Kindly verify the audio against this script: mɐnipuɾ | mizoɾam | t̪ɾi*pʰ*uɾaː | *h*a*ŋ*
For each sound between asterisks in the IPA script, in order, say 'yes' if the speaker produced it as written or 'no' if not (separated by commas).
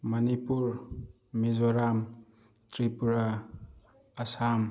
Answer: no, no, no